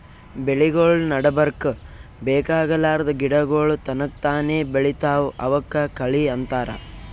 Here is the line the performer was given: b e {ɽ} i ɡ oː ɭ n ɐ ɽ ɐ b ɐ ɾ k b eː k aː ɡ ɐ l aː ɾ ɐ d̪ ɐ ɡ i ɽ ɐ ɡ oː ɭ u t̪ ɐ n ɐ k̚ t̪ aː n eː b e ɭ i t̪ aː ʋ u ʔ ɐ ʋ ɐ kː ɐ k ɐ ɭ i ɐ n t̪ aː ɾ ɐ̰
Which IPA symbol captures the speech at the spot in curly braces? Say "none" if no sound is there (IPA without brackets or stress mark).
ɭ